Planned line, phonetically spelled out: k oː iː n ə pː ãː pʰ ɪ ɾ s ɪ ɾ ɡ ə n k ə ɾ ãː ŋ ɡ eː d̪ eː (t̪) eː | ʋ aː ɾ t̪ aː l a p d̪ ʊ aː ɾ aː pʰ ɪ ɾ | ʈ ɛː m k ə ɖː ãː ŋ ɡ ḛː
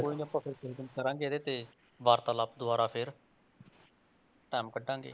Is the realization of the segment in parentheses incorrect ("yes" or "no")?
no